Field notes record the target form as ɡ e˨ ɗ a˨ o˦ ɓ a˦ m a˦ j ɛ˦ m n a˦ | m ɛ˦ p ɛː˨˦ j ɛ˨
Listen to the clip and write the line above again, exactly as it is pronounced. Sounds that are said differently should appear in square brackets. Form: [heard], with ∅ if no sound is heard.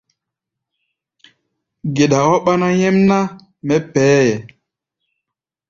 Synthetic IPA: ɡ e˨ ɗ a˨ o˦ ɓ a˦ [n] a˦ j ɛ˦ m n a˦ | m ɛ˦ p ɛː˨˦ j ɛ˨

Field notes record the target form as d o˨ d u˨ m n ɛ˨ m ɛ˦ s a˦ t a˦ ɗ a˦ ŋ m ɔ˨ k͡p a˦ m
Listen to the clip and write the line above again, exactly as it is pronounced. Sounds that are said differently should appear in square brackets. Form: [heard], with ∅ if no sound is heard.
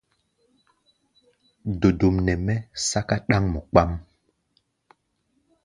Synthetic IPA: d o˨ d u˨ m n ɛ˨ m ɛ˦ s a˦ [k] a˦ ɗ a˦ ŋ m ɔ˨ k͡p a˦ m

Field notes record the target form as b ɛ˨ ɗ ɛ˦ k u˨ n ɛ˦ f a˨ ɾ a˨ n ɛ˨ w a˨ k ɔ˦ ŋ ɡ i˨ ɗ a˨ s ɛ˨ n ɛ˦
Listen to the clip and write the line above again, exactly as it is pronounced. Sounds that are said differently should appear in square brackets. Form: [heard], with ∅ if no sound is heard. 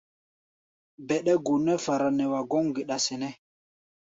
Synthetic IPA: b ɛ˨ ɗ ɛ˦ [ɡ] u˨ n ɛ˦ f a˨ ɾ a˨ n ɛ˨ w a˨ [ɡ] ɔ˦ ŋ ɡ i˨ ɗ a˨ s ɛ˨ n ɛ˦

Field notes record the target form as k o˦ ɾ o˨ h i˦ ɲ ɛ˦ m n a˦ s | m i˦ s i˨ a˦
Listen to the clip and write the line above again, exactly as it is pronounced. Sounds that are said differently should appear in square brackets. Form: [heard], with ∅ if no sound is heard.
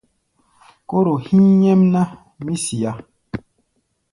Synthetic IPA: k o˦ ɾ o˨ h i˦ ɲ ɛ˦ m n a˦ [∅] | m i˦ s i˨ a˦

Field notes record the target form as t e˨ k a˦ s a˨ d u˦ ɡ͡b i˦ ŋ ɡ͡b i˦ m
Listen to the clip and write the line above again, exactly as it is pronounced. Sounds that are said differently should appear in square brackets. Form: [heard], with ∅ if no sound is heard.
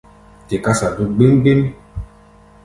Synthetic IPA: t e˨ k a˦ s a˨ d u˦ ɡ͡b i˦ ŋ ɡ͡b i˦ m

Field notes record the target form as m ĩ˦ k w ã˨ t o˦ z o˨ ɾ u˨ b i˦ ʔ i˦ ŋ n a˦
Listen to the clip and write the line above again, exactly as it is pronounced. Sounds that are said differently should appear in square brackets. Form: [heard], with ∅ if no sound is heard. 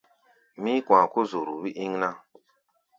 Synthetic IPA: m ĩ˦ k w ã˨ [k] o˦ z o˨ ɾ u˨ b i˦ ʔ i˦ ŋ n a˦

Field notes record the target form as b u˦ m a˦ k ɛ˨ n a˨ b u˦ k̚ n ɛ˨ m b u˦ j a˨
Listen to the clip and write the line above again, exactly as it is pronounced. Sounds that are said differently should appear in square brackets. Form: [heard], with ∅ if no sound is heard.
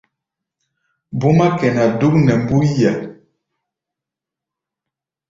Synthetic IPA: b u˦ m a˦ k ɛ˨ n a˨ [d] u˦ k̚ n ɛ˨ m b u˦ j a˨

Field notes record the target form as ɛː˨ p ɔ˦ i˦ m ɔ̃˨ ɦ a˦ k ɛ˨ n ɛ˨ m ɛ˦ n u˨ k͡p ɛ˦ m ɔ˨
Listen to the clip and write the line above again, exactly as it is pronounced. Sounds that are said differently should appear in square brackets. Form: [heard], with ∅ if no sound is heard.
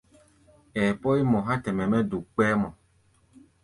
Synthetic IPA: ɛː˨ p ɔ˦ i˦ m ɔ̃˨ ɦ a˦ [t] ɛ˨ [m] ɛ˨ m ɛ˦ [d] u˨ k͡p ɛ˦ m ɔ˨

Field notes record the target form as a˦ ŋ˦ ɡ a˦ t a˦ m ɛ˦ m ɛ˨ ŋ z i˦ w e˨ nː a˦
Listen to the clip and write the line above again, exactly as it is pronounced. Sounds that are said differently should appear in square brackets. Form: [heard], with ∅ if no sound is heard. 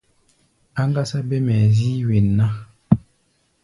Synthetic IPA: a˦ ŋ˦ ɡ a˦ [s] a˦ [b] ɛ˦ m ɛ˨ [∅] z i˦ w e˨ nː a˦

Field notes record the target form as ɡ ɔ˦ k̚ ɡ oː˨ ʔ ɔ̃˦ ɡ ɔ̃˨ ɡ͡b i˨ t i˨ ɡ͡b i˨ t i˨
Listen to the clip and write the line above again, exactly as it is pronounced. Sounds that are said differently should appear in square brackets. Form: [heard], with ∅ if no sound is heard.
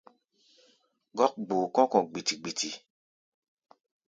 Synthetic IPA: ɡ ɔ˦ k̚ [ɡ͡b] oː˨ [k] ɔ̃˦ [k] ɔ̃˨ ɡ͡b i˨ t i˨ ɡ͡b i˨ t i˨

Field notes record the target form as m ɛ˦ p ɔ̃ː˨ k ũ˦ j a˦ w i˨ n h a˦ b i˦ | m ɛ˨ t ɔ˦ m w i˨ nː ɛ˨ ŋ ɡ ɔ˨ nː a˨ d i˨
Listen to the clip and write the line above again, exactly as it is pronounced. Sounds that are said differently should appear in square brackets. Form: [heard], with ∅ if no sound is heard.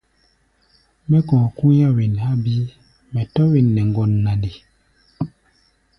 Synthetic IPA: m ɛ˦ [k] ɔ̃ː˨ k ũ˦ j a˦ w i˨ n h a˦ b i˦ | m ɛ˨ t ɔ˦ [∅] w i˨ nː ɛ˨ ŋ ɡ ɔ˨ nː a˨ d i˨

